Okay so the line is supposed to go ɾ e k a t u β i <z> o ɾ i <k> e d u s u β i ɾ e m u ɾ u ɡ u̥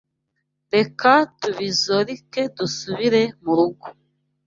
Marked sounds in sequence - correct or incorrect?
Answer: correct, correct

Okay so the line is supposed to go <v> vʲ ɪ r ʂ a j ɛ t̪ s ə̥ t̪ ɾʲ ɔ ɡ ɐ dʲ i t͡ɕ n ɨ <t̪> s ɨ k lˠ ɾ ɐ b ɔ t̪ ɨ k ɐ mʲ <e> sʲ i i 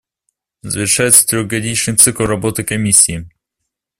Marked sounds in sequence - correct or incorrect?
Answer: incorrect: z, correct, incorrect: i

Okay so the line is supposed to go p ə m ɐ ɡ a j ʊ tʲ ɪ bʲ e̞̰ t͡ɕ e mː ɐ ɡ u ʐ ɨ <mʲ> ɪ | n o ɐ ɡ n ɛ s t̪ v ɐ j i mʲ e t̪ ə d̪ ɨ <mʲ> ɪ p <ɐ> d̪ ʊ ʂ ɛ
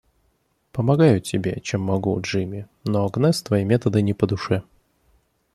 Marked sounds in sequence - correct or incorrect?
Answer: correct, incorrect: nʲ, incorrect: ə

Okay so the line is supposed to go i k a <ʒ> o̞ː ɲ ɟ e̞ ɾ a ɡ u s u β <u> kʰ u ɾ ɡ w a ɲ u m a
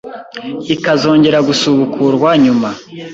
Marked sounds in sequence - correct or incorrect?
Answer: incorrect: z, correct

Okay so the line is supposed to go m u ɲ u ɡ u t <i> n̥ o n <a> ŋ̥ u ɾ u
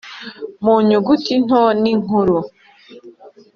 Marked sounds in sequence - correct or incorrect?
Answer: correct, incorrect: i

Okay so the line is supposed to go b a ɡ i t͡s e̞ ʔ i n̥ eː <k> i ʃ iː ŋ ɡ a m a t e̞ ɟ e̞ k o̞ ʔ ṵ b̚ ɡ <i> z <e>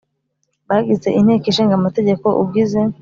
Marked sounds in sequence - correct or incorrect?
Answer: correct, correct, correct

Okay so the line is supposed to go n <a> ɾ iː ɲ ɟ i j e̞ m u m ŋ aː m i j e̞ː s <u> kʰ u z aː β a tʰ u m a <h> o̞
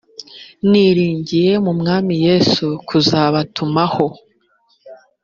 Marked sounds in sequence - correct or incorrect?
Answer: incorrect: i, correct, correct

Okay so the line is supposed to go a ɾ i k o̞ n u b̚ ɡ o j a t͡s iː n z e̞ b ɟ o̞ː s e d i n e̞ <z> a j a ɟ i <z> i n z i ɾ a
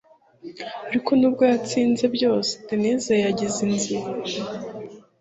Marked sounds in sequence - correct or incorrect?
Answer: correct, correct

